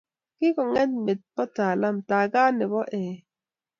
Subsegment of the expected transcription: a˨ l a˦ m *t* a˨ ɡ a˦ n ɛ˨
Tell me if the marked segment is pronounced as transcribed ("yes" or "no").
yes